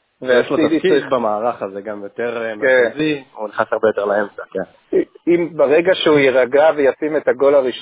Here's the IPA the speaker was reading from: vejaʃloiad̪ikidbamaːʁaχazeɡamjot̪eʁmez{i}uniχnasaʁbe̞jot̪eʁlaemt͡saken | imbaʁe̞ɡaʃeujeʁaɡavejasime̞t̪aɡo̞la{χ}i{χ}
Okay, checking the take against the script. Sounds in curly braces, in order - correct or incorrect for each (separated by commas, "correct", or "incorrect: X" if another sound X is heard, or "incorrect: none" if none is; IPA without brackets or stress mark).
correct, incorrect: ʁ, incorrect: ʃ